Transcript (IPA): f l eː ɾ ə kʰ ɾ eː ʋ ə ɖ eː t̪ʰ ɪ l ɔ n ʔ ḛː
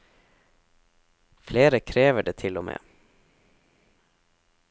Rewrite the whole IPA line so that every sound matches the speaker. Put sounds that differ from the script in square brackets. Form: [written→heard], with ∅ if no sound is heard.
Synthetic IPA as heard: f l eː ɾ ə kʰ ɾ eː ʋ ə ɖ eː t̪ʰ ɪ l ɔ [n→m] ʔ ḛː